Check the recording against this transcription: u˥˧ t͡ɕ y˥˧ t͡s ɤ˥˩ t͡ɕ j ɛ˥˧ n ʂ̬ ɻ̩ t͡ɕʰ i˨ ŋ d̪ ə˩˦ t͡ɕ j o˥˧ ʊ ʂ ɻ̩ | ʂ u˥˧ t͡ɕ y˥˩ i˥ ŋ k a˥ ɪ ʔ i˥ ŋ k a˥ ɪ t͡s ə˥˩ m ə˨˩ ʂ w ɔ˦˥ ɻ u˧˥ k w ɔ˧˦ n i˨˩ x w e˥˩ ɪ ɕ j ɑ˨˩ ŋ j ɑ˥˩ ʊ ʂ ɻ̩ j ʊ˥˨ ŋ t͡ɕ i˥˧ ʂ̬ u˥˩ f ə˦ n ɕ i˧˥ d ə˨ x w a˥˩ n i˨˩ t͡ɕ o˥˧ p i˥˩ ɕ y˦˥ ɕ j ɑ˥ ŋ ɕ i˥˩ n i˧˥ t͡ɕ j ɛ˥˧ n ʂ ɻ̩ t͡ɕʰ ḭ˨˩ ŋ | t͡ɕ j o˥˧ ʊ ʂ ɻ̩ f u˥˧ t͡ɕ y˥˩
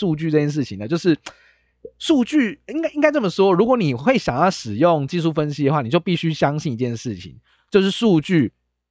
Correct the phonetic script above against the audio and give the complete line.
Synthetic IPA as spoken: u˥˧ t͡ɕ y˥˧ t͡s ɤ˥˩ t͡ɕ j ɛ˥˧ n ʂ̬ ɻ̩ t͡ɕʰ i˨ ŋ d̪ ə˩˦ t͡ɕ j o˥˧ ʊ ʂ ɻ̩ | ʂ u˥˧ t͡ɕ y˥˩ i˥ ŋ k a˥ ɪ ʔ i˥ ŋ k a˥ ɪ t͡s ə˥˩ m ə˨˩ ʂ w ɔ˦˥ ɻ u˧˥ k w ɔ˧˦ n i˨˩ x w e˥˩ ɪ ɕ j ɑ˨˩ ŋ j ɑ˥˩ ʊ ʂ ɻ̩ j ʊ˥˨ ŋ t͡ɕ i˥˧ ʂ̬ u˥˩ f ə˦ n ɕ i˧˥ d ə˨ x w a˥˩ n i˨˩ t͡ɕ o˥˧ p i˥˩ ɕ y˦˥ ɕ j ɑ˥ ŋ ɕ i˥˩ n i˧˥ t͡ɕ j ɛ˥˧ n ʂ ɻ̩ t͡ɕʰ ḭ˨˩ ŋ | t͡ɕ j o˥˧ ʊ ʂ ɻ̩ ʂ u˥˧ t͡ɕ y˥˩